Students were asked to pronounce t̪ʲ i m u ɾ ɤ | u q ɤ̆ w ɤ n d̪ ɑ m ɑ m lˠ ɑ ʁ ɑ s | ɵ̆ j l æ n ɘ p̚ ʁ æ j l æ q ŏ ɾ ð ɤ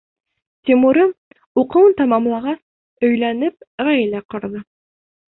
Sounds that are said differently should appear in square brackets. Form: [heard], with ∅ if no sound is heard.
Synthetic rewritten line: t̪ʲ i m u ɾ ɤ | u q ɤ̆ w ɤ n [t̪] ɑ m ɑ m lˠ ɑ ʁ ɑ s | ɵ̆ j l æ n ɘ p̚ ʁ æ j l æ q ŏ ɾ ð ɤ